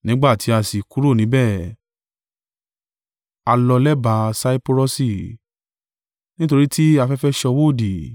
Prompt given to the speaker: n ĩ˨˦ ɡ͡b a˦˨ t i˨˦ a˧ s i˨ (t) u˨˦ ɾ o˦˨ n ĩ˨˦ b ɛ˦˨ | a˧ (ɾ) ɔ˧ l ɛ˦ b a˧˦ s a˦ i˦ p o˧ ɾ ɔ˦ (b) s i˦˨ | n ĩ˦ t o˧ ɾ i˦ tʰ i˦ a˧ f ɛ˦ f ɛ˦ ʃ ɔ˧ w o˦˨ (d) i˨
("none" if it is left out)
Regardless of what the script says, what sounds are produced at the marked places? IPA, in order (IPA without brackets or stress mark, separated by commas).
k, l, none, d